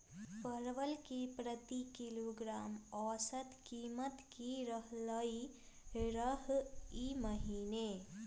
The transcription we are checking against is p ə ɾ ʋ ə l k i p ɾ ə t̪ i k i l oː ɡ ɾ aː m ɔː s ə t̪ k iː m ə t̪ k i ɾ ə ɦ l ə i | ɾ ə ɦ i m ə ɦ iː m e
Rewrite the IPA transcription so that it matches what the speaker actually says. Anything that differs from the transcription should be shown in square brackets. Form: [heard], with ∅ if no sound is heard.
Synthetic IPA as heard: p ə ɾ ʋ ə l k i p ɾ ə t̪ i k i l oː ɡ ɾ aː m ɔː s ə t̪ k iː m ə t̪ k i ɾ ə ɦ l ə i | ɾ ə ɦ i m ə ɦ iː [n] e